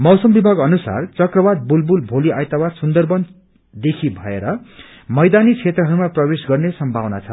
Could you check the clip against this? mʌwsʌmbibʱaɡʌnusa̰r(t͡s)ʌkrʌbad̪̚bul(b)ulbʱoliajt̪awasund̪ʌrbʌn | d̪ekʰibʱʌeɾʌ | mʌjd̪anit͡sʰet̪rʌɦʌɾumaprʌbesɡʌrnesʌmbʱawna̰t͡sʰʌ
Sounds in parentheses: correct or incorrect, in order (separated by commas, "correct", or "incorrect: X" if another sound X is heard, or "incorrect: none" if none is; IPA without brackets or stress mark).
correct, correct